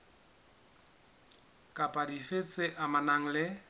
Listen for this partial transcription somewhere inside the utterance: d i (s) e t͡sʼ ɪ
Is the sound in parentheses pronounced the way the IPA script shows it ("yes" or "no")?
no